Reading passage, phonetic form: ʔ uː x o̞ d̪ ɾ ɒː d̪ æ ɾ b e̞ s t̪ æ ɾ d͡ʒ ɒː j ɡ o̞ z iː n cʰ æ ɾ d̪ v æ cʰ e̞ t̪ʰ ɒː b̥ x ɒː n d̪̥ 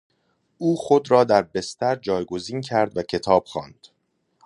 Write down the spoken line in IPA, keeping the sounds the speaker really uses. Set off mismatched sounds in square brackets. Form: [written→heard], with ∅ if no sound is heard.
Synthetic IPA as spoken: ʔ uː x o̞ d̪ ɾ ɒː d̪ æ ɾ b e̞ s t̪ æ ɾ d͡ʒ ɒː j ɡ o̞ z iː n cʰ æ ɾ d̪ v æ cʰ e̞ t̪ʰ ɒː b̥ x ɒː n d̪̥